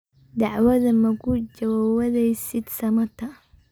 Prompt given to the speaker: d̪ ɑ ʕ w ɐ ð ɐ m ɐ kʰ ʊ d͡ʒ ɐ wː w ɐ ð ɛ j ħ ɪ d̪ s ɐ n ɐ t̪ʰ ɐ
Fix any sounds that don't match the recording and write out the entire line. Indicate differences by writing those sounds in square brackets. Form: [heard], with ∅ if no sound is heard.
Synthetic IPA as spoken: d̪ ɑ ʕ w ɐ ð ɐ m ɐ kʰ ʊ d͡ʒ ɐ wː w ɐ ð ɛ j [s] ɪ d̪ s ɐ [m] ɐ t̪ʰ ɐ